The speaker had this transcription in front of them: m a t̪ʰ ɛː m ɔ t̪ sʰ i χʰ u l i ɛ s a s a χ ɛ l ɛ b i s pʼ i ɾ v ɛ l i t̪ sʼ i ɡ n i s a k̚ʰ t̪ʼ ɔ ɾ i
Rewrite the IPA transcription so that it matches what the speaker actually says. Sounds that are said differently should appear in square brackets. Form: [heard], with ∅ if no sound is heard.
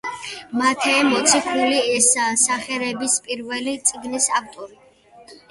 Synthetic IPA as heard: m a t̪ʰ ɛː m ɔ t̪ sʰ i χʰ u l i ɛ s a s a χ ɛ [ɾ] ɛ b i s pʼ i ɾ v ɛ l i t̪ sʼ i ɡ n i s a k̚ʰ t̪ʼ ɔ ɾ i